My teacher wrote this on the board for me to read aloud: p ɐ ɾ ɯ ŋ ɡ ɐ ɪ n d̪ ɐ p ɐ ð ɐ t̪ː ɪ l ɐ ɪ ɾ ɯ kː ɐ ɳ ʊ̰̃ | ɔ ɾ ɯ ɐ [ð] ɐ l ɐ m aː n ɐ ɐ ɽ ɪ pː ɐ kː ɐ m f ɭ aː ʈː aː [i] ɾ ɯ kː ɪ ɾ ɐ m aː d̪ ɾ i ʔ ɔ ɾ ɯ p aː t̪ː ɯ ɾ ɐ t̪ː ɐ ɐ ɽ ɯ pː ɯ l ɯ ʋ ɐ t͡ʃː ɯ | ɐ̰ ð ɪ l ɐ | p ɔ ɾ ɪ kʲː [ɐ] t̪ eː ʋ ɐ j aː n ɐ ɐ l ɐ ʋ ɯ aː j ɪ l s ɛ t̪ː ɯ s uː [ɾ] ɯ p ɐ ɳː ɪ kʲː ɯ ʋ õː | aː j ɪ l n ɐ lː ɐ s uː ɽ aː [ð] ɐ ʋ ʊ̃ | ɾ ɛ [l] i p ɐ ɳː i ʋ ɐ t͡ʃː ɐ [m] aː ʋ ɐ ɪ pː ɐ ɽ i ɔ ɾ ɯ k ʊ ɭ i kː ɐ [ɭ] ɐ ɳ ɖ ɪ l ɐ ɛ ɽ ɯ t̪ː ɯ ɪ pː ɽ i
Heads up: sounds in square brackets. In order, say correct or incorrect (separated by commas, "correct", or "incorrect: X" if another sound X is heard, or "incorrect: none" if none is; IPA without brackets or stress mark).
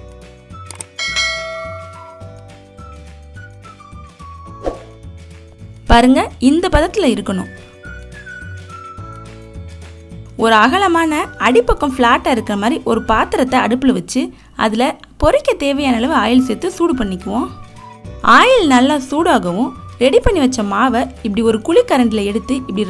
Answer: incorrect: ɣ, incorrect: ɪ, correct, incorrect: ɽ, incorrect: ɣ, incorrect: ɽ, correct, incorrect: ɾ